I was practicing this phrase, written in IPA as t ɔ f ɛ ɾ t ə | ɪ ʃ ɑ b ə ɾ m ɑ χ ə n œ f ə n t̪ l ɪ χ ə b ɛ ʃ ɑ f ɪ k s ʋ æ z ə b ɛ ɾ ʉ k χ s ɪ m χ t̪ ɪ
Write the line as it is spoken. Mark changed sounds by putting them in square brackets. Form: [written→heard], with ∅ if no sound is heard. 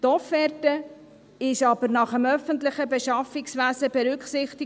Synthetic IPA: t ɔ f ɛ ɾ t ə | ɪ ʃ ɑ b ə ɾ [m→n] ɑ χ ə [n→m] œ f ə n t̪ l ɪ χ ə b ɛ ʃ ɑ f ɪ k s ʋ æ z ə b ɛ ɾ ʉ k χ s ɪ [m→∅] χ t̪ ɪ